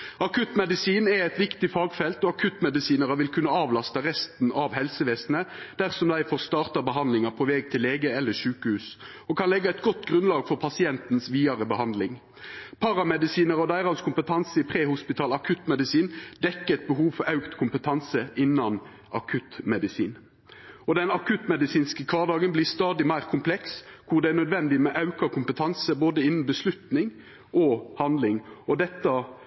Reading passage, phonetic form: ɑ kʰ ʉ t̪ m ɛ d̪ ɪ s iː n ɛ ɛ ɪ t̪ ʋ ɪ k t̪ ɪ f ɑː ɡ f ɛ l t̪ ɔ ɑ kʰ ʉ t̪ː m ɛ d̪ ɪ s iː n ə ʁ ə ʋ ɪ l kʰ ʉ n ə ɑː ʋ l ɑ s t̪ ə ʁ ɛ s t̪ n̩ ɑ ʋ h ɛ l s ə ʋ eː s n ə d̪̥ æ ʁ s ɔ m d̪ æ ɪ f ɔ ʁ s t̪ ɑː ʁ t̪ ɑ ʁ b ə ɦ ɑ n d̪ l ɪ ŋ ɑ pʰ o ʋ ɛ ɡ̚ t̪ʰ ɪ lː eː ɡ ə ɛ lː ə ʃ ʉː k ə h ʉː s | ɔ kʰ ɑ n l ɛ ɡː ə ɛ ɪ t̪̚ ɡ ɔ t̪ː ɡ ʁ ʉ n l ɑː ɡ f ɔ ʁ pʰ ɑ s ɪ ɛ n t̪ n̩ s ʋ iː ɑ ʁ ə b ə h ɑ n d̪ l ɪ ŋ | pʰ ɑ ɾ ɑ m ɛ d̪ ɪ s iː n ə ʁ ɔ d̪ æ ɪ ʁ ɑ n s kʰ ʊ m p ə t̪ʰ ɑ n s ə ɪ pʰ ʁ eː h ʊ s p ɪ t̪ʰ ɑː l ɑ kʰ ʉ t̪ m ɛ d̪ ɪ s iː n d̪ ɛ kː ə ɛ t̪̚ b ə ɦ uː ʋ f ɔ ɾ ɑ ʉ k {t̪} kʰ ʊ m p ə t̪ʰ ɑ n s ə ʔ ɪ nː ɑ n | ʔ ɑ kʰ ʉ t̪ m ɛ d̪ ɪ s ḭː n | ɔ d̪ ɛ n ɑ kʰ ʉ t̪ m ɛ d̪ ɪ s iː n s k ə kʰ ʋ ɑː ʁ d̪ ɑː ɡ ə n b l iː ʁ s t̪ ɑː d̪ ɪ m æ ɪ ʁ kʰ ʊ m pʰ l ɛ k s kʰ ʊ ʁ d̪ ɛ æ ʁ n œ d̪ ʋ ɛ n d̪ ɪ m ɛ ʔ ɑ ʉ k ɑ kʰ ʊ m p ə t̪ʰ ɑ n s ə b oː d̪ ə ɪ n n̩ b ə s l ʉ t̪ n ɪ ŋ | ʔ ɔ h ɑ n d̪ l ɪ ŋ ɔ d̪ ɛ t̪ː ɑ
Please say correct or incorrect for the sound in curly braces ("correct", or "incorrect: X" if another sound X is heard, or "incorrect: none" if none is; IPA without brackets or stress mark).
correct